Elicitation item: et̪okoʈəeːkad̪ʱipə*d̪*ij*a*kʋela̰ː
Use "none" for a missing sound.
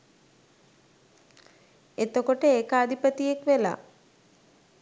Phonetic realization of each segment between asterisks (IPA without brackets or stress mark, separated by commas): t̪, e